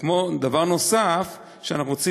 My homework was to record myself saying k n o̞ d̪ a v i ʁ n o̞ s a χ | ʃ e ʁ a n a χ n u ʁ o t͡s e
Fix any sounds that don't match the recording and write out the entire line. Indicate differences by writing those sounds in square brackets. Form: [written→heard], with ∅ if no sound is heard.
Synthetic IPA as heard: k [n→m] o̞ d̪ a v [i→a] ʁ n o̞ s a [χ→f] | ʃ e [ʁ→∅] a n a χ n u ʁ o t͡s [e→i]